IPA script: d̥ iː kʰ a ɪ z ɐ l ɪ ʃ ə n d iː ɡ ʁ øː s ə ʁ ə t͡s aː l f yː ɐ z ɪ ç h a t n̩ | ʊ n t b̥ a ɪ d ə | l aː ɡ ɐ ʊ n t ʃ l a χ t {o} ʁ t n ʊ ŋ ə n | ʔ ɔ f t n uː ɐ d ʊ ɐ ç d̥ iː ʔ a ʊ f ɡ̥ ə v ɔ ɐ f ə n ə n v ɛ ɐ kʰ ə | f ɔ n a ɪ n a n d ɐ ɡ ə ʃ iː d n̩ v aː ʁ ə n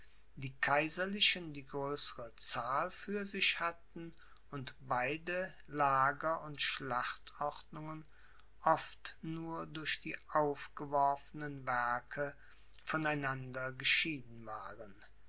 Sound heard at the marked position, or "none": ɔ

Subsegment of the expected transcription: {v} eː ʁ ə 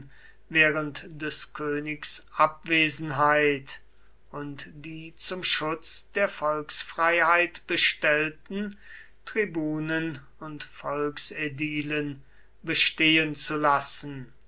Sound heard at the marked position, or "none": v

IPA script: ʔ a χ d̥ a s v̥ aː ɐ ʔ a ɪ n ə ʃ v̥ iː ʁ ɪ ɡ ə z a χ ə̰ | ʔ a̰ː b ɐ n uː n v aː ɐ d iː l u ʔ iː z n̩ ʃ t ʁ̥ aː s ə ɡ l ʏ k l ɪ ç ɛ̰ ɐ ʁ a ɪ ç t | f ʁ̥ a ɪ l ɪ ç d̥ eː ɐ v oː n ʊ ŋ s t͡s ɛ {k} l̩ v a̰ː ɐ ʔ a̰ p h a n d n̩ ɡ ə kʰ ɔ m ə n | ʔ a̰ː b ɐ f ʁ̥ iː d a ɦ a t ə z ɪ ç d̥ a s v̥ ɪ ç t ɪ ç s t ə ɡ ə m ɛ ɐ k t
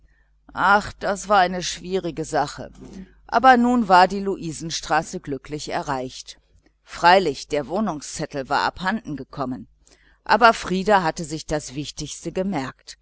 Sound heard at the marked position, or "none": t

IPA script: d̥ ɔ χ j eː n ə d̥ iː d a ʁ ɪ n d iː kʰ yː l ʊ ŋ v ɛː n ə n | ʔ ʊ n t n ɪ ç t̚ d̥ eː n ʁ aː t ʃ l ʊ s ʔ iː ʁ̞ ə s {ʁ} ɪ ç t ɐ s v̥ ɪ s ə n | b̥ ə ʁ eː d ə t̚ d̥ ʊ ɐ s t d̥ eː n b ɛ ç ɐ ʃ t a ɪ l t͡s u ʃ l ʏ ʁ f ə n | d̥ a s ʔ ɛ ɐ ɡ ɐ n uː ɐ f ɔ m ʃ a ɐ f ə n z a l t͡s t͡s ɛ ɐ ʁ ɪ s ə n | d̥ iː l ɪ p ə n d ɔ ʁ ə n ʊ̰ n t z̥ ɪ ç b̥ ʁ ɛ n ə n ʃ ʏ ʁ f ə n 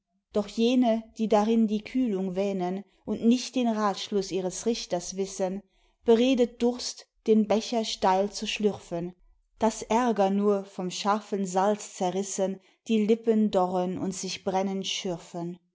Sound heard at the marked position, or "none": ʁ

